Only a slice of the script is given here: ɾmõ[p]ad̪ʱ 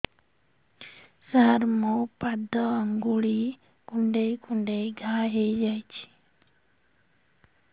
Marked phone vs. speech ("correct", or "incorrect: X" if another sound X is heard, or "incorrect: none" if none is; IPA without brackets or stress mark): correct